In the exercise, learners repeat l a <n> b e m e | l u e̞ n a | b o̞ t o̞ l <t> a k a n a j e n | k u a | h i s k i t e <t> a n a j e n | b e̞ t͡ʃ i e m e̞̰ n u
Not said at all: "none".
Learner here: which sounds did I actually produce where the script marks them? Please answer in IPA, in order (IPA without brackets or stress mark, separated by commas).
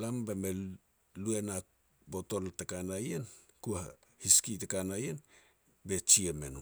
m, t, k